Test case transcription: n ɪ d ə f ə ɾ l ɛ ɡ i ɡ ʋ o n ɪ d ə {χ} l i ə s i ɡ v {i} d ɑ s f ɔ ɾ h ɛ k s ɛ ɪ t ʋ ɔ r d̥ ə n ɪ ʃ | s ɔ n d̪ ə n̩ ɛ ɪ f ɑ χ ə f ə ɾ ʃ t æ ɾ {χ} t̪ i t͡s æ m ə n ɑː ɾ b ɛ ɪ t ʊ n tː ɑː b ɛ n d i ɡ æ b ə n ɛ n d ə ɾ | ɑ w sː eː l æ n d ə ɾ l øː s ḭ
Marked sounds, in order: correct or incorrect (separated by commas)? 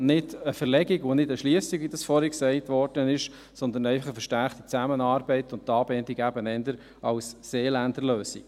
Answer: incorrect, correct, correct